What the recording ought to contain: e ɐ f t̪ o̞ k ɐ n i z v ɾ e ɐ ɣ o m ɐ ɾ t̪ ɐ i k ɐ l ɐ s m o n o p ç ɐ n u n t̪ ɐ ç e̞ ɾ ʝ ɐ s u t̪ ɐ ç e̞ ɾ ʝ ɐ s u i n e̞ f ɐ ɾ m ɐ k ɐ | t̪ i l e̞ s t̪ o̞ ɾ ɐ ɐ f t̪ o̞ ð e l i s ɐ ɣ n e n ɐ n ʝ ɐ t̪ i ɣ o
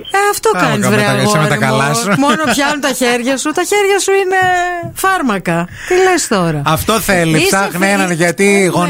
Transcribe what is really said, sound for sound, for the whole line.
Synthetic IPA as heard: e ɐ f t̪ o̞ k ɐ n i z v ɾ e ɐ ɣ o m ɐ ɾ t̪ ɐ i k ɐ l ɐ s m o n o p ç ɐ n u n t̪ ɐ ç e̞ ɾ ʝ ɐ s u t̪ ɐ ç e̞ ɾ ʝ ɐ s u i n e̞ f ɐ ɾ m ɐ k ɐ | t̪ i l e̞ s t̪ o̞ ɾ ɐ ɐ f t̪ o̞ θ e l i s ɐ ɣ n e n ɐ n ʝ ɐ t̪ i ɣ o